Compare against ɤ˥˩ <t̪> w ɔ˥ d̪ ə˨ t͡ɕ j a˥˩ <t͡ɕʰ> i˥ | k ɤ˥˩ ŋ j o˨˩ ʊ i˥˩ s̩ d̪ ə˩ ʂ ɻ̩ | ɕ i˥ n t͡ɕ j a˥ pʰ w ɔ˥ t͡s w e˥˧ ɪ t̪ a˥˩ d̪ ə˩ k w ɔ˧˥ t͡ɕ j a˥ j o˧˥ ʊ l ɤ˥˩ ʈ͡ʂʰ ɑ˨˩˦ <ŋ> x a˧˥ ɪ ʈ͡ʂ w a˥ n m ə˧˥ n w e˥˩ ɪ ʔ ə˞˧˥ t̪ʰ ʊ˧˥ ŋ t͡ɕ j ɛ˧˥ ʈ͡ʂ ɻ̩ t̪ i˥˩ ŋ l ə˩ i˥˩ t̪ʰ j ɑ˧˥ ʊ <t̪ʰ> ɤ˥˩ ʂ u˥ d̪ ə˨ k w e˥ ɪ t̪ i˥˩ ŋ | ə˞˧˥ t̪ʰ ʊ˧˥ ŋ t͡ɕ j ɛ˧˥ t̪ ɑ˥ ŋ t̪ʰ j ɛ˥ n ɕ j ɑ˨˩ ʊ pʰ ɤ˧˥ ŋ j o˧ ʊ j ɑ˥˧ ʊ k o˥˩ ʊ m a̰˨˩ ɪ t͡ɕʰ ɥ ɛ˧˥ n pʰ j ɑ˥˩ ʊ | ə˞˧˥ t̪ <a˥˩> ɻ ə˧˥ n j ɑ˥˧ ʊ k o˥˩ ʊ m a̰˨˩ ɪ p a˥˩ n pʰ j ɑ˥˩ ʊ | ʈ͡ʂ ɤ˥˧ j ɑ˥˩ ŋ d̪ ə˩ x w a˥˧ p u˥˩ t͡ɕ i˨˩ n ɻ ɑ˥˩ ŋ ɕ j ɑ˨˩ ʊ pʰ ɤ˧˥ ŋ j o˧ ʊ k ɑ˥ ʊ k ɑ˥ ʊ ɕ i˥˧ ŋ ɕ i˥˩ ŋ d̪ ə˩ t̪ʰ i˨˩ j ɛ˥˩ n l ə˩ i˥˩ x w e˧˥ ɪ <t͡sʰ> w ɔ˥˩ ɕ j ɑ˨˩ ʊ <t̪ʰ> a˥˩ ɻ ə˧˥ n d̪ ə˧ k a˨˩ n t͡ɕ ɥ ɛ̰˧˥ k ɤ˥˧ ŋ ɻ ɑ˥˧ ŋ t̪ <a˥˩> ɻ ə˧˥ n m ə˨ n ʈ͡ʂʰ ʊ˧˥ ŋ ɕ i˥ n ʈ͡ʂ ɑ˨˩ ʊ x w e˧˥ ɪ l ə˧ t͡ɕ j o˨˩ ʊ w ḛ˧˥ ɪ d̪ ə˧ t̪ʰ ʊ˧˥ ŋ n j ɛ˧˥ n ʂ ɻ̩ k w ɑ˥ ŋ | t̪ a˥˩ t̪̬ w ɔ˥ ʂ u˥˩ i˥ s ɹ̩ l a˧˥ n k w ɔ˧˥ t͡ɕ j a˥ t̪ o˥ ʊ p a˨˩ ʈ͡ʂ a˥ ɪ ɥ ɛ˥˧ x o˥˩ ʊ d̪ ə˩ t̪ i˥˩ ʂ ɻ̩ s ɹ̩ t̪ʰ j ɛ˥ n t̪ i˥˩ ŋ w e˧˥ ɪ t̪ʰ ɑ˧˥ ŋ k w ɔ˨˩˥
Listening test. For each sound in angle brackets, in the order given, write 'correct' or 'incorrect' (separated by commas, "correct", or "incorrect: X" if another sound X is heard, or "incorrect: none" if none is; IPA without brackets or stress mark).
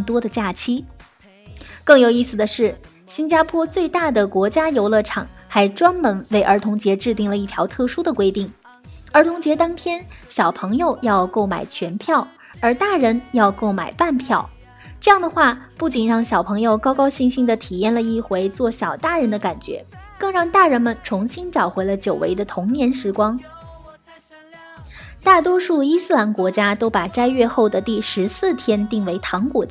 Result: correct, correct, correct, correct, correct, incorrect: t͡s, incorrect: t̪, correct